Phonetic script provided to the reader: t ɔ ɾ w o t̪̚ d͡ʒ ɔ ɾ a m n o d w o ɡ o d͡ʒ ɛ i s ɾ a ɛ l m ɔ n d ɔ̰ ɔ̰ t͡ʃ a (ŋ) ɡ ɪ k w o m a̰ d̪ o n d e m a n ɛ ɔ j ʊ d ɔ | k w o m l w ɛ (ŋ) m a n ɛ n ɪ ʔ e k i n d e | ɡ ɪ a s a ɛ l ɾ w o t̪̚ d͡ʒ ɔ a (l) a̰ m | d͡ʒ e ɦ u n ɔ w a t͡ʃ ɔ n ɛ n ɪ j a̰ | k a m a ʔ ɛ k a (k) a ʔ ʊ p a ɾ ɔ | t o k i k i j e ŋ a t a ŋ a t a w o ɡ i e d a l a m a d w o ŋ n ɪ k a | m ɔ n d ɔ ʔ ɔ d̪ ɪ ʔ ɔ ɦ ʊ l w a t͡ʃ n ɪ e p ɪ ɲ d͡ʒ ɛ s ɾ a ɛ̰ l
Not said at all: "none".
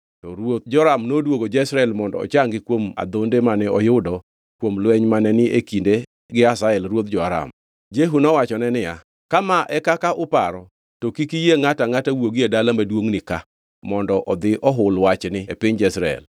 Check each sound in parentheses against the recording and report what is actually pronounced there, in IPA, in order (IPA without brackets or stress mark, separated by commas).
ŋ, ɲ, ɾ, k